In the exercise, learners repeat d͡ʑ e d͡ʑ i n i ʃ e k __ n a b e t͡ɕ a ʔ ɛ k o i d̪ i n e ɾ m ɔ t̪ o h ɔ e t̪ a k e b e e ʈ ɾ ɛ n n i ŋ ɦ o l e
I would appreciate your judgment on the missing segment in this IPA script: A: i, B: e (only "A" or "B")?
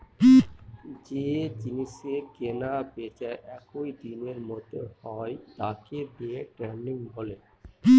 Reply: B